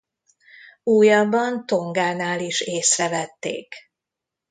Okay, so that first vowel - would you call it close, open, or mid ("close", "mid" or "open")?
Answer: close